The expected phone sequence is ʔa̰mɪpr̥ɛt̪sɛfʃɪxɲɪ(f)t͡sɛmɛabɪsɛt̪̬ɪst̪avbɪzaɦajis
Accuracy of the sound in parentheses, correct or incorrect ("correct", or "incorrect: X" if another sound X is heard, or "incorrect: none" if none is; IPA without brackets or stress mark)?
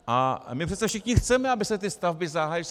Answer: incorrect: x